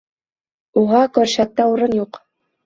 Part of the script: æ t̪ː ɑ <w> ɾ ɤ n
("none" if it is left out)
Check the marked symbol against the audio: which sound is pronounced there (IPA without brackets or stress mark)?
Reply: u